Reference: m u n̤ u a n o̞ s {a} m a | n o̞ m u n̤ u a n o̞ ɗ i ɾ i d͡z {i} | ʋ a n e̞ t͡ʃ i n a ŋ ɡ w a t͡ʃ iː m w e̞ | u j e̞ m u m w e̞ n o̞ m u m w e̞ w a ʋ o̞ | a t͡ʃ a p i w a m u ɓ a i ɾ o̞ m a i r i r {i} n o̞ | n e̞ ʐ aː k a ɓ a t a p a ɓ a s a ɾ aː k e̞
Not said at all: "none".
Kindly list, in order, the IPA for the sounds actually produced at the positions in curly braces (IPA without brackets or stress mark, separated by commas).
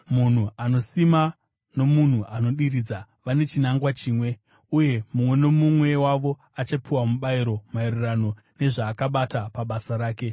i, a, a